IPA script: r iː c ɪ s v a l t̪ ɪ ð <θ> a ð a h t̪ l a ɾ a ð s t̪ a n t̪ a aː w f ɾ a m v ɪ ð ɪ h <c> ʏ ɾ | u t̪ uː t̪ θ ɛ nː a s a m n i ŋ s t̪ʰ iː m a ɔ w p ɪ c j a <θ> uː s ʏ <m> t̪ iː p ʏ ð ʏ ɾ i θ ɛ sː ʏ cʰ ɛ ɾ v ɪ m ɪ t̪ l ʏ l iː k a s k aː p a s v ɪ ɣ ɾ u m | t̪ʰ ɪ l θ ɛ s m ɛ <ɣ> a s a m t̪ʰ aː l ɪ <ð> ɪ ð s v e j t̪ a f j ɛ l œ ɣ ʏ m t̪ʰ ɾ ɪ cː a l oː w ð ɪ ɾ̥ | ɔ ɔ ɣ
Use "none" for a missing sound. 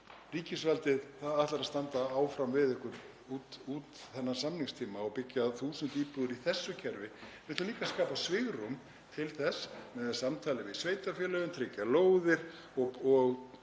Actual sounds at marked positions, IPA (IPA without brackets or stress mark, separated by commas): θ, k, θ, n, ð, v